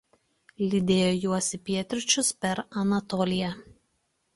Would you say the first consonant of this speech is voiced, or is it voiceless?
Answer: voiced